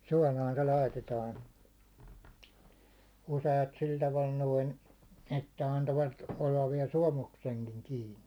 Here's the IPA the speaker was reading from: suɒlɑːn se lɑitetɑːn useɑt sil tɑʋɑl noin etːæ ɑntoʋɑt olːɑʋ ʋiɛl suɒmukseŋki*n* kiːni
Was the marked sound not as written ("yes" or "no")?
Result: yes